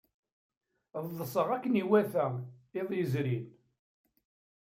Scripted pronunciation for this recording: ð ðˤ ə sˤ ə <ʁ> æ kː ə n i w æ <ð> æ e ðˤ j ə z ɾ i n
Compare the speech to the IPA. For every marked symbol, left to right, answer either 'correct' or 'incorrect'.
correct, incorrect: θ

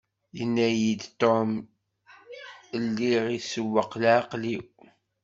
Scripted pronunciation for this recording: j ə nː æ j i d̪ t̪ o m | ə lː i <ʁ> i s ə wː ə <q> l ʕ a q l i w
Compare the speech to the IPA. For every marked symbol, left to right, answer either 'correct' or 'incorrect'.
correct, correct

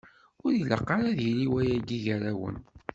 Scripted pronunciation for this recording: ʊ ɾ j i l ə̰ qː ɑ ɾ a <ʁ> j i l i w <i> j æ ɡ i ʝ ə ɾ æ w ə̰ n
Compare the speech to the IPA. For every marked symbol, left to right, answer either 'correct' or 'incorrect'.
incorrect: ð, incorrect: æ

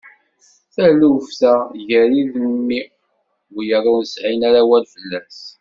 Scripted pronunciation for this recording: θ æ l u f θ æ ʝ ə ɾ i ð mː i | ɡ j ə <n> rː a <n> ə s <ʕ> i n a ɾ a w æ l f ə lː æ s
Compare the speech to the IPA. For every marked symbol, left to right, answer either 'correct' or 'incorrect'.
incorrect: none, correct, correct

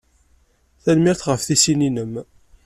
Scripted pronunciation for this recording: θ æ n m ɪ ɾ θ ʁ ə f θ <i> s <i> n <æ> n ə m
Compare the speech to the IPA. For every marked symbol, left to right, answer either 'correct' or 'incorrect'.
correct, correct, incorrect: i

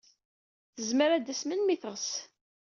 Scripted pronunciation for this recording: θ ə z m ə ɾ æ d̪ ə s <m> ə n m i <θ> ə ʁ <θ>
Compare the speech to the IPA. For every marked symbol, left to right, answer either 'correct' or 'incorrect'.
correct, correct, incorrect: s

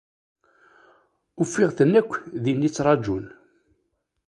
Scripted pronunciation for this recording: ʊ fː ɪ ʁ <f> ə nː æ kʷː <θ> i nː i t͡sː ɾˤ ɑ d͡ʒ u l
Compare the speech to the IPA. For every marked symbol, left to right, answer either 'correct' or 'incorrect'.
incorrect: θ, incorrect: ð

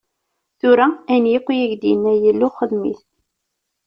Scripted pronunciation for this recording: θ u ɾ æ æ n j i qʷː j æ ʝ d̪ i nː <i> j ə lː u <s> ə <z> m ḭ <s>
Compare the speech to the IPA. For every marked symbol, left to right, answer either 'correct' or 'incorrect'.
incorrect: æ, incorrect: χ, incorrect: ð, incorrect: θ

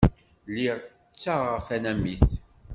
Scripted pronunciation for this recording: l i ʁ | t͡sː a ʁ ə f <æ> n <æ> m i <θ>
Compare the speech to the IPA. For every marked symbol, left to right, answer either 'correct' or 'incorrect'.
correct, correct, correct

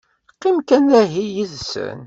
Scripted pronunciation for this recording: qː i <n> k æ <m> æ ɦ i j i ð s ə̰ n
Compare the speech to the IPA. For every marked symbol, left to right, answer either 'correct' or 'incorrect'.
incorrect: m, incorrect: n

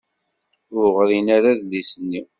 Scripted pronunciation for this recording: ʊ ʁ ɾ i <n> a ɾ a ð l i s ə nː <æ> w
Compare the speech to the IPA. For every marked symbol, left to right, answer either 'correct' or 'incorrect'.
correct, incorrect: i

